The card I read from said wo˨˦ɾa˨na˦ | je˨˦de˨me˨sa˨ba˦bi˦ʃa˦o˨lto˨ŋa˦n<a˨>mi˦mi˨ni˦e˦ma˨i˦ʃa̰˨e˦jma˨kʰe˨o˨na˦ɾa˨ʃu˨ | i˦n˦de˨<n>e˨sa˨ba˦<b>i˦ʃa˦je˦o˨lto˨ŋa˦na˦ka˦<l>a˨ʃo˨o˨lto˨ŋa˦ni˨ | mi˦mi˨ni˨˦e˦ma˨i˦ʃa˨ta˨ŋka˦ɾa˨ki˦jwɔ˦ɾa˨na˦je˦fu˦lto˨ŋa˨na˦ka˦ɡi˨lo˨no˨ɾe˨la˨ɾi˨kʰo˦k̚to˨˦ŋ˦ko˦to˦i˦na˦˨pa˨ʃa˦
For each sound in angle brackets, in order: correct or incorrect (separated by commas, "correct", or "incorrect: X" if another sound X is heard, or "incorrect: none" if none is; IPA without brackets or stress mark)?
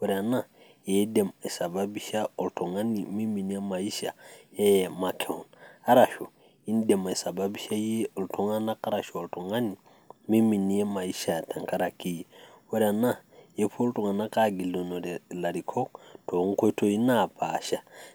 incorrect: i˨, incorrect: m, correct, incorrect: ɾ